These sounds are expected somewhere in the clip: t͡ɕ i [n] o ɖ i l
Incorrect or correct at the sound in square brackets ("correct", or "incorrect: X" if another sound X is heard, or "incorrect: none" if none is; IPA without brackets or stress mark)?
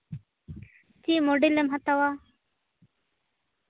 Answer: incorrect: m